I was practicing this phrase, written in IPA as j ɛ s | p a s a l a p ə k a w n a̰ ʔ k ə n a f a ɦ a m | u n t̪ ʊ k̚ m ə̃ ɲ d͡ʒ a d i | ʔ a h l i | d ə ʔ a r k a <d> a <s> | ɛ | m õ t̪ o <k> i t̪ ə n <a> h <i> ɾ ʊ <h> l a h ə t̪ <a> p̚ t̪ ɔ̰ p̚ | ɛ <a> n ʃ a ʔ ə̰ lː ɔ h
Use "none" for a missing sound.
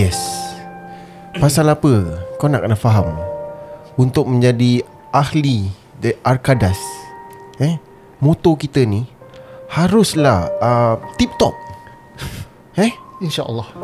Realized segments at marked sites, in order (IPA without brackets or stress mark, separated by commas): d, s, k, i, a, s, i, i